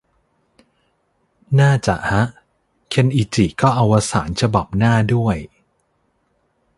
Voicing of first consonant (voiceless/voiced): voiced